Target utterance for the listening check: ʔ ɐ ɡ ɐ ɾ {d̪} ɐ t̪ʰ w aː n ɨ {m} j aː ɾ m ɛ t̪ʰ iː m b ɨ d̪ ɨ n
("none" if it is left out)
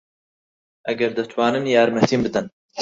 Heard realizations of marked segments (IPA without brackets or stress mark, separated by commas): d̪, n